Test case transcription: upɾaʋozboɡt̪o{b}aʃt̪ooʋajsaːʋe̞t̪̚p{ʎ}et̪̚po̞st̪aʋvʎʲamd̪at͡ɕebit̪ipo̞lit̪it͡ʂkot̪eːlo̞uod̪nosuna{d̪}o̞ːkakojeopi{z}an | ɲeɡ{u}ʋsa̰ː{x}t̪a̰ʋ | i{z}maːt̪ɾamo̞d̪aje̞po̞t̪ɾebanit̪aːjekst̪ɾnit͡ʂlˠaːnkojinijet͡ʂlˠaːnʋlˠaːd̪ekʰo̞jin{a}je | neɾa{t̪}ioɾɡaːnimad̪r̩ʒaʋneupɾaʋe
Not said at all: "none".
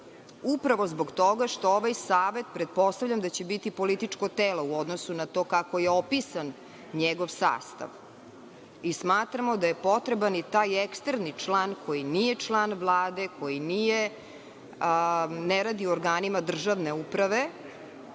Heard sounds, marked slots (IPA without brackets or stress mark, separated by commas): ɡ, ɾ, t̪, s, o, s, s, i, d̪